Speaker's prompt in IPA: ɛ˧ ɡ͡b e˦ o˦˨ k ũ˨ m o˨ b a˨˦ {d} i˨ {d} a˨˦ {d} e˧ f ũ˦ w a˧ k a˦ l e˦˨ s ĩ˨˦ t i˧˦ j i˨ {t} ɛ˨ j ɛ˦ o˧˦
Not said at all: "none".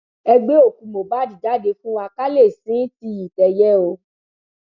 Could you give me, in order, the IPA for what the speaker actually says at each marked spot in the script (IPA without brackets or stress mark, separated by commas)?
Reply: d, d, d, t